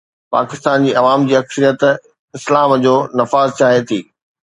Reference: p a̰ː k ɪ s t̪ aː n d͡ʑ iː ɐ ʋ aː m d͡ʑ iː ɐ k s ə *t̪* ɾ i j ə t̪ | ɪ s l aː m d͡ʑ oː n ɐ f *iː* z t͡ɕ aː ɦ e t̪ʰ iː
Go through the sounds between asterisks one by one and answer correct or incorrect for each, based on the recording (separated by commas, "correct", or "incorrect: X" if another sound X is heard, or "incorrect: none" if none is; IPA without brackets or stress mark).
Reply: incorrect: none, incorrect: aː